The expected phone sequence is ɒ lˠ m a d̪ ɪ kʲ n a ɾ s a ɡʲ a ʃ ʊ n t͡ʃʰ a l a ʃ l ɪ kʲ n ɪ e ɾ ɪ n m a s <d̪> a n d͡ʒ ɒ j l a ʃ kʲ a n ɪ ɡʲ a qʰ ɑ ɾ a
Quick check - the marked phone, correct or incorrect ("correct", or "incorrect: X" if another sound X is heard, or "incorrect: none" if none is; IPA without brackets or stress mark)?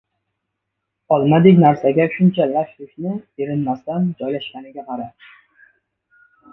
incorrect: t̪